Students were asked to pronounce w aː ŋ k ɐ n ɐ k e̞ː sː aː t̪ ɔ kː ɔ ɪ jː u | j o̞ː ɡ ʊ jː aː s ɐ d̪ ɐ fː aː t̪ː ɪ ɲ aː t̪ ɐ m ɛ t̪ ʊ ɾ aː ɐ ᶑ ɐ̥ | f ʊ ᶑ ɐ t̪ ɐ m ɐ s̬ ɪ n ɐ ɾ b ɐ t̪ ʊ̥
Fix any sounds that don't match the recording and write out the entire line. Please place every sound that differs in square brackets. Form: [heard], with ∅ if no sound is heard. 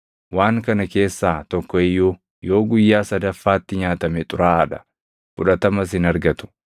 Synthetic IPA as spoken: w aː ŋ k ɐ n ɐ k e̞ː sː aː t̪ ɔ kː ɔ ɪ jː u | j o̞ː ɡ ʊ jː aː s ɐ d̪ ɐ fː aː t̪ː ɪ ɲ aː t̪ ɐ m ɛ [t̪ʼ] ʊ ɾ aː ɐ ᶑ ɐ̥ | f ʊ ᶑ ɐ t̪ ɐ m ɐ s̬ ɪ n ɐ ɾ [ɡ] ɐ t̪ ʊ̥